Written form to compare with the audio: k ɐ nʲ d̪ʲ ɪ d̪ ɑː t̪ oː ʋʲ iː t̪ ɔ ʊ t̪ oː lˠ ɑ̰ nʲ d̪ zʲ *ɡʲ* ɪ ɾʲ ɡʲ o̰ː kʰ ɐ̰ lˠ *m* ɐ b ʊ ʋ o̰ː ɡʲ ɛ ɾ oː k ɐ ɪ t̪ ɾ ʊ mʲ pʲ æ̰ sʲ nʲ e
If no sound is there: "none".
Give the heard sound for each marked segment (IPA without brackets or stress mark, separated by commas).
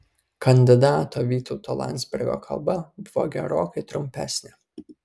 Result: bʲ, b